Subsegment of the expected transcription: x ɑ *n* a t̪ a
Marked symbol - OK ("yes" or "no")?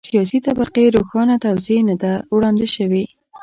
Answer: yes